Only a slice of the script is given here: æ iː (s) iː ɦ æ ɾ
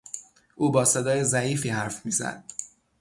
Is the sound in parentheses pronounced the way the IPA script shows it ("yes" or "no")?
no